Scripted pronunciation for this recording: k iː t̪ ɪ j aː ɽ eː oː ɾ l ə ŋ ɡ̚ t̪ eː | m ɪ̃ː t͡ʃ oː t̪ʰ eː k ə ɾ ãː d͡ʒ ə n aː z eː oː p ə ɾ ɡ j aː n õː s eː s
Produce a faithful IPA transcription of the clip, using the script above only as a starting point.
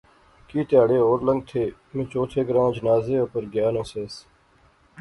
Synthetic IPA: k iː t̪ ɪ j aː ɽ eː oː ɾ l ə ŋ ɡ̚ t̪ʰ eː | m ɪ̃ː t͡ʃ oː t̪ʰ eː ɡ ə ɾ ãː d͡ʒ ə n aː z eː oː p ə ɾ ɡ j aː n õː s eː s